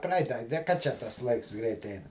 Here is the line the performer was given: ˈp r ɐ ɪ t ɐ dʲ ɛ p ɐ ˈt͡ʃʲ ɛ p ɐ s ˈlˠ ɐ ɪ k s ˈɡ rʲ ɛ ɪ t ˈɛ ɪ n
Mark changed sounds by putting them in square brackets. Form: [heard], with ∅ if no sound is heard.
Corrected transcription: ˈp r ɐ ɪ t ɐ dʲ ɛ [k] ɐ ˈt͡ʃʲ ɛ [t] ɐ s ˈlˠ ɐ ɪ k s ˈɡ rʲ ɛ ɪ t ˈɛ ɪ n

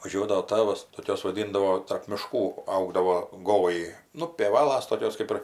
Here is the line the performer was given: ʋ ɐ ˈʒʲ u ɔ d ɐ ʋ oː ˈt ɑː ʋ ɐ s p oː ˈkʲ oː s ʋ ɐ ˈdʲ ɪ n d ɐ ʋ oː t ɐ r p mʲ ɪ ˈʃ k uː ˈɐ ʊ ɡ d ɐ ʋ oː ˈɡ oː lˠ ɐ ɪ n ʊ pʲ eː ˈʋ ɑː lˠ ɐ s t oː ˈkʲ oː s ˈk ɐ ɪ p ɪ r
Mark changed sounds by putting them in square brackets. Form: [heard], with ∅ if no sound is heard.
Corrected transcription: ʋ ɐ ˈʒʲ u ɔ d ɐ ʋ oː ˈt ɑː ʋ ɐ s [t] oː ˈkʲ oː s ʋ ɐ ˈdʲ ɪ n d ɐ ʋ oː t ɐ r p mʲ ɪ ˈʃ k uː ˈɐ ʊ ɡ d ɐ ʋ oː ˈɡ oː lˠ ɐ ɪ n ʊ pʲ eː ˈʋ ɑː lˠ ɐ s t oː ˈkʲ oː s ˈk ɐ ɪ p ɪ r

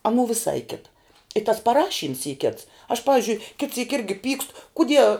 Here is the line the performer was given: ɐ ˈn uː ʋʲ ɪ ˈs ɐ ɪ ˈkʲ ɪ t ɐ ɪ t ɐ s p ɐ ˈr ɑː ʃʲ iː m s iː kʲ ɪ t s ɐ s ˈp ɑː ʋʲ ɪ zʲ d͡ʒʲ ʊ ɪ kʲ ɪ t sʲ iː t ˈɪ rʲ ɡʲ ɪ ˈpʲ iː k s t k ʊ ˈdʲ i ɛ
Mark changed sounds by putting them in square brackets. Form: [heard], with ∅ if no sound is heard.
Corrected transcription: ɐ ˈn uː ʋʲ ɪ ˈs ɐ ɪ ˈkʲ ɪ t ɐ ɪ t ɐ s p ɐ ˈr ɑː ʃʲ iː m s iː kʲ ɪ t s ɐ [ʃ] ˈp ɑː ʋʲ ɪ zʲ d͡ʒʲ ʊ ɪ kʲ ɪ t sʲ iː [k] ˈɪ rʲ ɡʲ ɪ ˈpʲ iː k s t k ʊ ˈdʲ i ɛ

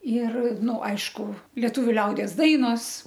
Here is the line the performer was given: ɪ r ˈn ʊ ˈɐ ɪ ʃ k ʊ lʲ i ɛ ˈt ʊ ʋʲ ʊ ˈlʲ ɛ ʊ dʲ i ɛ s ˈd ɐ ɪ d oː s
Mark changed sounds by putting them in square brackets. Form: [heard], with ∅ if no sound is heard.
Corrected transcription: ɪ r ˈn ʊ ˈɐ ɪ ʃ k ʊ lʲ i ɛ ˈt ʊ ʋʲ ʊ ˈlʲ ɛ ʊ dʲ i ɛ s ˈd ɐ ɪ [n] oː s

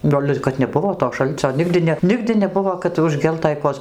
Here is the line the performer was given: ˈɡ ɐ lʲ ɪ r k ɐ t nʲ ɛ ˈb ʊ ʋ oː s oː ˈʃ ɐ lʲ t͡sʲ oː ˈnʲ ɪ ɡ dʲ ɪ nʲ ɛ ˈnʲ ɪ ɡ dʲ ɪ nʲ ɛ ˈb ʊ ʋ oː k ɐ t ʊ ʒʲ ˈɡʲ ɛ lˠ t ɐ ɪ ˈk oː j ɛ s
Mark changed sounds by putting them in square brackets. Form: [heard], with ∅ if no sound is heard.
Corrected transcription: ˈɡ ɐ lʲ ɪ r k ɐ t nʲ ɛ ˈb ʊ ʋ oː [t] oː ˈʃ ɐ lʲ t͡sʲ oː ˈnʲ ɪ ɡ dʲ ɪ nʲ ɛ ˈnʲ ɪ ɡ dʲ ɪ nʲ ɛ ˈb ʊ ʋ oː k ɐ t ʊ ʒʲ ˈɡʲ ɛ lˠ t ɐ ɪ ˈk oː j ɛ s

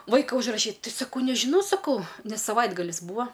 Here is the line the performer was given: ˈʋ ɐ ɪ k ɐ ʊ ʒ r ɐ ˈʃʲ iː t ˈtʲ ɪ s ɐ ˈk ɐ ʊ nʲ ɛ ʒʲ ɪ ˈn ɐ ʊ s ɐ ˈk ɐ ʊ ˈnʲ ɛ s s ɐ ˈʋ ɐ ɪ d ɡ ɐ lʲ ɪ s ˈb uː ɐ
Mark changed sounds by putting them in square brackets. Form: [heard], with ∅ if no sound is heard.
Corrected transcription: ˈʋ ɐ ɪ k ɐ ʊ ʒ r ɐ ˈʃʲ iː t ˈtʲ ɪ s ɐ ˈk ɐ ʊ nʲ ɛ ʒʲ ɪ ˈn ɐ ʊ s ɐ ˈk ɐ ʊ ˈnʲ ɛ s s ɐ ˈʋ ɐ ɪ d ɡ ɐ lʲ ɪ s ˈb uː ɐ

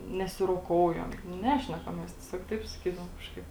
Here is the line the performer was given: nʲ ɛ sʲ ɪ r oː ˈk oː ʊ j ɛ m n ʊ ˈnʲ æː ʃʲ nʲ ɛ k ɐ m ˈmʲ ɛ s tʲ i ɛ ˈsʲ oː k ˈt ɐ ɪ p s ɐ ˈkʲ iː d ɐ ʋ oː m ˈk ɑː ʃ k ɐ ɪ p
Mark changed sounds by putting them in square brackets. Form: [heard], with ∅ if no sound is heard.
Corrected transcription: nʲ ɛ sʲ ɪ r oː ˈk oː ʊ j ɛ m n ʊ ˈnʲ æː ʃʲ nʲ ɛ k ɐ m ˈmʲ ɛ s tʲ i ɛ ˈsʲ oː k ˈt ɐ ɪ p s ɐ ˈkʲ iː d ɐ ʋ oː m ˈk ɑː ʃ k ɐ ɪ p

